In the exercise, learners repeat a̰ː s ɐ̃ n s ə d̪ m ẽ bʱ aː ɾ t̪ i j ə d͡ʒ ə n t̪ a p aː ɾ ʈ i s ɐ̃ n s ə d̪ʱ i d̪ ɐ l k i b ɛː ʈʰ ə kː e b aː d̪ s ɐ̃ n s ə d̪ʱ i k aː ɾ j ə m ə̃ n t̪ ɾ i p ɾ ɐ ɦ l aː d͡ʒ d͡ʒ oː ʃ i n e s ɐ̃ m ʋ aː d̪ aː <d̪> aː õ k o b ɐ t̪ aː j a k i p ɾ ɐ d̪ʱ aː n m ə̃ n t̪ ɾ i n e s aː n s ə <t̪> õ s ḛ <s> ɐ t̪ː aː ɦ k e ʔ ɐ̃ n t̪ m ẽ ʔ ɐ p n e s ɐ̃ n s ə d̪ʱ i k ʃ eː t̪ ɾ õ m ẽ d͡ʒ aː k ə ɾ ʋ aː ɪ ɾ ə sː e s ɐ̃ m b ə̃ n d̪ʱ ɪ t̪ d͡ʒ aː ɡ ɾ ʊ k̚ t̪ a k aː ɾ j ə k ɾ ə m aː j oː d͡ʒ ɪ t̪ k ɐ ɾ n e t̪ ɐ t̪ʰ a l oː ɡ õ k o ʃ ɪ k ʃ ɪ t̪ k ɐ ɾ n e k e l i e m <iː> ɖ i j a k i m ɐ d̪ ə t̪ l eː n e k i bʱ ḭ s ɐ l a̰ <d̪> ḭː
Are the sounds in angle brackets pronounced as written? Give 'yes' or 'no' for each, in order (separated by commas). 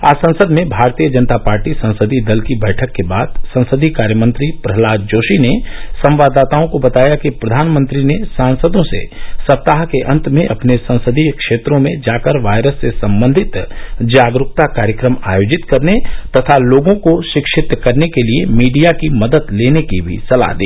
no, no, yes, yes, yes